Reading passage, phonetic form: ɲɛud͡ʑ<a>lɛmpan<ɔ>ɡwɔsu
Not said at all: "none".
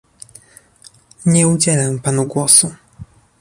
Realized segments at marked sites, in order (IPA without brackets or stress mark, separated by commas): ɛ, u